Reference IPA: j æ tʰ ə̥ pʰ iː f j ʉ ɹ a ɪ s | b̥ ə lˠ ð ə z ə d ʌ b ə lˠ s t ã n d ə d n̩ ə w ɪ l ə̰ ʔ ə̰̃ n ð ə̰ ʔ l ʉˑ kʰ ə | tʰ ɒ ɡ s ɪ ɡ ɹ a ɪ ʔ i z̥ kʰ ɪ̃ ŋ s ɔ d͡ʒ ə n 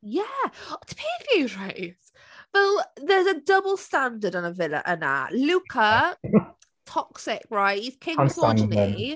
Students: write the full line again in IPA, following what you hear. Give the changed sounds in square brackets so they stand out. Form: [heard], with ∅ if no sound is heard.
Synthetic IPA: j æ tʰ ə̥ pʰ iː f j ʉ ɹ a ɪ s | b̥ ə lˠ ð ə z ə d ʌ b ə lˠ s t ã n d ə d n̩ ə [v] ɪ l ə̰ ʔ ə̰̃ n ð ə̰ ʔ l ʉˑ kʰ ə | tʰ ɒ [k] s ɪ [k] ɹ a ɪ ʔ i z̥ kʰ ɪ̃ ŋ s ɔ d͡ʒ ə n

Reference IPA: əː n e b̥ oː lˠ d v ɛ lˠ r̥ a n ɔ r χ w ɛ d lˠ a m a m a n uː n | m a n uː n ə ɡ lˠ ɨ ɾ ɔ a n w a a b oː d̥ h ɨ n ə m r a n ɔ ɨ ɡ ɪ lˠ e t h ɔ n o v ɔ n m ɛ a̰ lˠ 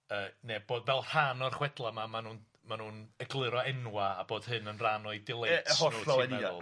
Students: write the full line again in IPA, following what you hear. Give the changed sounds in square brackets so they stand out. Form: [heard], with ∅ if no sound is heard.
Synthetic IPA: əː n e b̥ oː [∅] d v ɛ lˠ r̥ a n ɔ r χ w ɛ d lˠ a m a m a n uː n | m a n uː n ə ɡ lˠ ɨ ɾ ɔ [ɛ] n w a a b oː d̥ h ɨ n ə [n] r a n ɔ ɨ [d] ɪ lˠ e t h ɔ n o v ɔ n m ɛ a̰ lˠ

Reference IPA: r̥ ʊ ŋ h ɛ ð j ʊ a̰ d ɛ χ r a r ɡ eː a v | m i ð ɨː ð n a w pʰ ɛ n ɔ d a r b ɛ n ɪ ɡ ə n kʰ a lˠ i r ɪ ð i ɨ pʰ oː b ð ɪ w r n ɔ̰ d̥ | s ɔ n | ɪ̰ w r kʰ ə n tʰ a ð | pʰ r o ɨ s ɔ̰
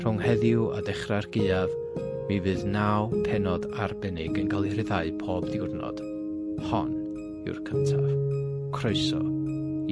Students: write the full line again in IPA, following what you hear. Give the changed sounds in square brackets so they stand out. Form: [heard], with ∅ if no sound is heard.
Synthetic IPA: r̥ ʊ ŋ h ɛ ð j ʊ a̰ d ɛ χ r a r ɡ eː a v | m i [v] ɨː ð n a w pʰ ɛ n ɔ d a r b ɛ n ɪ ɡ ə n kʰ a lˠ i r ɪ ð [a] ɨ pʰ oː b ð ɪ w r n ɔ̰ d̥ | [h] ɔ n | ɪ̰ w r kʰ ə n tʰ a [v] | [kʰ] r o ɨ s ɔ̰

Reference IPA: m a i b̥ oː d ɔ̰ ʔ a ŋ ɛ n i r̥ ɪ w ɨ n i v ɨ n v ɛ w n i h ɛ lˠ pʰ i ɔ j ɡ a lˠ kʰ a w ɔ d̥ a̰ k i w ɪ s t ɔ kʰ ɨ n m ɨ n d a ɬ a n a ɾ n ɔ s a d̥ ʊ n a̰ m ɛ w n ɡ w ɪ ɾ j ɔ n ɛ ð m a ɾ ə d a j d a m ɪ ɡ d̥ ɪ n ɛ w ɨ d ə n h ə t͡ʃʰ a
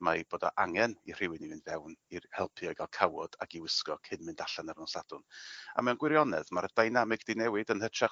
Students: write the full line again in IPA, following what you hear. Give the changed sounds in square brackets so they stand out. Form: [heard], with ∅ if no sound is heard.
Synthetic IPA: m a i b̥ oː d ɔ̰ ʔ a ŋ ɛ n i r̥ ɪ w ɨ n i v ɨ n v ɛ w n i h ɛ lˠ pʰ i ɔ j ɡ a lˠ kʰ a w ɔ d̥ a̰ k i w ɪ s [k] ɔ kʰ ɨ n m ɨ n d a ɬ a n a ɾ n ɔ s a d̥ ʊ n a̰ m ɛ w n ɡ w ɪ ɾ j ɔ n ɛ ð m a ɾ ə d a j [n] a m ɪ ɡ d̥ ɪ n ɛ w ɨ d ə n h ə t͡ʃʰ a

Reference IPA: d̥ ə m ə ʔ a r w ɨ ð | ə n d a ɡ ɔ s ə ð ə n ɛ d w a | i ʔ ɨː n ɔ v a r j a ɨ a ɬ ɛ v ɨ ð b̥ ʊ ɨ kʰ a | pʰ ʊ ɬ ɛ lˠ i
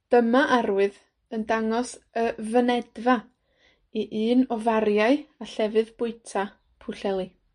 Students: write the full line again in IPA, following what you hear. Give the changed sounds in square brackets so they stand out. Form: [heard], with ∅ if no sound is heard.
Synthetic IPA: d̥ ə m [a] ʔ a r w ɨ ð | ə n d a [ŋ] ɔ s ə [v] ə n ɛ d [v] a | i ʔ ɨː n ɔ v a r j a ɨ a ɬ ɛ v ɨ ð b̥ ʊ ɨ [tʰ] a | pʰ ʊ ɬ ɛ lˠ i

